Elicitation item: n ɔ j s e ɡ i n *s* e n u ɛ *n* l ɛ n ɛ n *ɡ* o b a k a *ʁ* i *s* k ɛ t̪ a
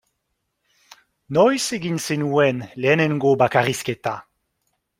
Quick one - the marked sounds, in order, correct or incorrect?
correct, correct, correct, correct, correct

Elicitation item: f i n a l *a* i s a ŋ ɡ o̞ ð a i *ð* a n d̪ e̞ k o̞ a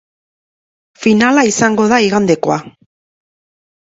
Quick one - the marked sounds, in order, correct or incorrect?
correct, incorrect: ɣ

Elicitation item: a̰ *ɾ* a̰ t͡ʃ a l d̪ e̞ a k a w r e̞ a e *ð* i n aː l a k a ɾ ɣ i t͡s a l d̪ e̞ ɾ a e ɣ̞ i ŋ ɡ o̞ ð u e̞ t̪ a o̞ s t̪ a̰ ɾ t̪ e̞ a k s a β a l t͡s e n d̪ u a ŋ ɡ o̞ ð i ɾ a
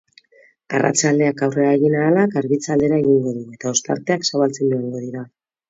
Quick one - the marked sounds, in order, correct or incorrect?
incorrect: r, incorrect: ɣ

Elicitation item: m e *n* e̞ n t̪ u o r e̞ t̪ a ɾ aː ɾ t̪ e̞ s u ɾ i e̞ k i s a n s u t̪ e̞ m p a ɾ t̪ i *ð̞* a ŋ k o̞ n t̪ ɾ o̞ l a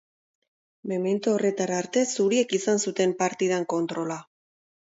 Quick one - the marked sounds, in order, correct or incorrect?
incorrect: m, correct

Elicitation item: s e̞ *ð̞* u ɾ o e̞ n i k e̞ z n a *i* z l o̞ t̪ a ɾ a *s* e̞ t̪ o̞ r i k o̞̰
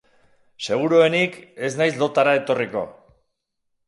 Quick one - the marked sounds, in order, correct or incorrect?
incorrect: ɣ̞, incorrect: j, incorrect: none

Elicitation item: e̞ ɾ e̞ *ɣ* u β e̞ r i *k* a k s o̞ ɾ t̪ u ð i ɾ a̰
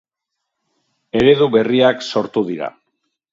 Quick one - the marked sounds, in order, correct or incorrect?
incorrect: ð, incorrect: none

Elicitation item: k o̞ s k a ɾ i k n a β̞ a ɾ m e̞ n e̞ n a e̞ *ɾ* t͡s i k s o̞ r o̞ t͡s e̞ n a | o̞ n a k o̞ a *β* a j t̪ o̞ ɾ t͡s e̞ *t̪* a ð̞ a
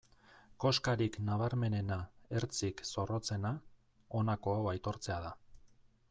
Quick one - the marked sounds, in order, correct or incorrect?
correct, incorrect: w, incorrect: none

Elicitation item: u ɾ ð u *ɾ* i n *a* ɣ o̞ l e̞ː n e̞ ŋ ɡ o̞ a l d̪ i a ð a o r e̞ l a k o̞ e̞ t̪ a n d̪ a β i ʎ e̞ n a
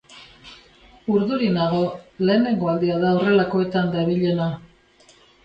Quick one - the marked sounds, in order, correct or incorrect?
correct, correct

